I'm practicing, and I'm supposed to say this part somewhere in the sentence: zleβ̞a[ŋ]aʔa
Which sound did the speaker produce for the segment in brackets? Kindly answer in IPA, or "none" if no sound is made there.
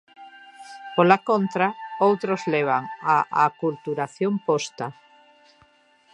ŋ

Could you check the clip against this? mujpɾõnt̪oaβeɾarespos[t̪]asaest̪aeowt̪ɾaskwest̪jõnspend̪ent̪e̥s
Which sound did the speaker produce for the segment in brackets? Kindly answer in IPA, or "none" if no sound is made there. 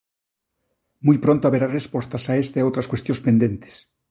t̪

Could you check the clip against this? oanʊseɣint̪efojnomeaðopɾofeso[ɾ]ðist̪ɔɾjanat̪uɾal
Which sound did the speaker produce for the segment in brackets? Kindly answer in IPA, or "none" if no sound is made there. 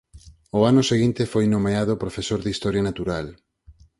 ɾ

